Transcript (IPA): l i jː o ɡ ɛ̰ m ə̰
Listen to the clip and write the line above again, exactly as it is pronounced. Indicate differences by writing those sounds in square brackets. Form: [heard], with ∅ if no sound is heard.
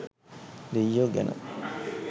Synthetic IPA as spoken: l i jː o ɡ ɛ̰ [n] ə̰